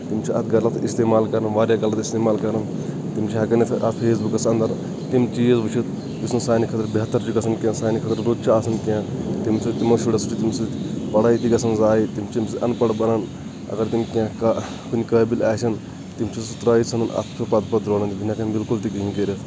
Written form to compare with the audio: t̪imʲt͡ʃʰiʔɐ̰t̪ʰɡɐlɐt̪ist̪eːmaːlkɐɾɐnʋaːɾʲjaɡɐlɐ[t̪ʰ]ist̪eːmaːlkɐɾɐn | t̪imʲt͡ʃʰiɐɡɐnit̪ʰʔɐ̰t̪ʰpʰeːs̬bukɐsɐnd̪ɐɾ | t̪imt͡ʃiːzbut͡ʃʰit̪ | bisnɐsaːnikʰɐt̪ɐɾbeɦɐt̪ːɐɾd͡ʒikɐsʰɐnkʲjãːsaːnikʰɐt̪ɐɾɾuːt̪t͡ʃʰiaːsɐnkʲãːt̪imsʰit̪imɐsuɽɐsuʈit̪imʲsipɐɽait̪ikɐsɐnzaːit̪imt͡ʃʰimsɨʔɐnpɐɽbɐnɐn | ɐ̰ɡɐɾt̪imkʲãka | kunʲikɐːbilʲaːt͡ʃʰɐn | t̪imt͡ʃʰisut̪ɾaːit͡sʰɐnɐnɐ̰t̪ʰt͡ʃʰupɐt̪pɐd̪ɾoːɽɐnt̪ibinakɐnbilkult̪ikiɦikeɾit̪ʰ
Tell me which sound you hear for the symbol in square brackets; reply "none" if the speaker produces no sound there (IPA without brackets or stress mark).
t̪